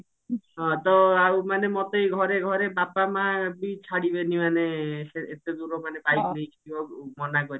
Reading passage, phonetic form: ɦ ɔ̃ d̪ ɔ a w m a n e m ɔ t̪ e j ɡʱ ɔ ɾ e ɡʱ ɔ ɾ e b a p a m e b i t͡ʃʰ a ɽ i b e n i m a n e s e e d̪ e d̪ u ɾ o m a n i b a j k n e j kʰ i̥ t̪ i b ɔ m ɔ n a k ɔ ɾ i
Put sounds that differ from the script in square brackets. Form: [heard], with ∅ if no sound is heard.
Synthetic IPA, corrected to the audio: ɦ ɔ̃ [t̪] ɔ a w m a n e m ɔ t̪ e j ɡʱ ɔ ɾ e ɡʱ ɔ ɾ e b a p a m [a] b i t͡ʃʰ a ɽ i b e n i m a n e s e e [t̪] e d̪ u ɾ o m a n [e] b a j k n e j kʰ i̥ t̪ i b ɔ m ɔ n a k ɔ ɾ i